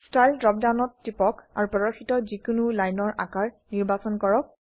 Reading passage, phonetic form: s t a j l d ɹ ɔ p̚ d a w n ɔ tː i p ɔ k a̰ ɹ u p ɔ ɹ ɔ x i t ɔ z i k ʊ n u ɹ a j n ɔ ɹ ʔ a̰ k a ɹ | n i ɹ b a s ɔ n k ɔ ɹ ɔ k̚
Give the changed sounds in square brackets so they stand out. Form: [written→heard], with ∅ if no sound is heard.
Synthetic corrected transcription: s t a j l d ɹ ɔ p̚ d a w n ɔ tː i p ɔ k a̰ ɹ u p ɔ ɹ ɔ x i t ɔ z i k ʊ n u [ɹ→l] a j n ɔ ɹ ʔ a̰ k a ɹ | n i ɹ b a s ɔ n k ɔ ɹ ɔ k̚